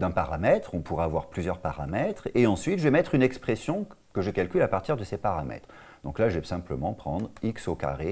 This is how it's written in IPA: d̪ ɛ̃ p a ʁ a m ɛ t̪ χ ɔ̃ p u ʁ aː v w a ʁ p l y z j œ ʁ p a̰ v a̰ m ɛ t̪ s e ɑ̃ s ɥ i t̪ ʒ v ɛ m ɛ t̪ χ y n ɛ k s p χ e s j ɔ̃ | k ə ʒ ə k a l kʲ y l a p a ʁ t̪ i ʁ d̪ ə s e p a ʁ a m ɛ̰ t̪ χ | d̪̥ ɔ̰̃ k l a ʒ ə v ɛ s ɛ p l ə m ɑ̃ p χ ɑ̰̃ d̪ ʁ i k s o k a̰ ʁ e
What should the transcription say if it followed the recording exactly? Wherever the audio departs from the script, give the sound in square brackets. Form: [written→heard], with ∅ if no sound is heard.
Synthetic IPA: d̪ ɛ̃ p a ʁ a m ɛ t̪ χ ɔ̃ p u ʁ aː v w a ʁ p l y z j œ ʁ p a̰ [v→ʁ] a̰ m ɛ t̪ [s→χ] e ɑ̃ s ɥ i t̪ ʒ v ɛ m ɛ t̪ χ y n ɛ k s p χ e s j ɔ̃ | k ə ʒ ə k a l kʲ y l a p a ʁ t̪ i ʁ d̪ ə s e p a ʁ a m ɛ̰ t̪ χ | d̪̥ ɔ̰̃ k l a ʒ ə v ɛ s [ɛ→ɛ̃] p l ə m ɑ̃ p χ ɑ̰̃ d̪ ʁ i k s o k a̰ ʁ e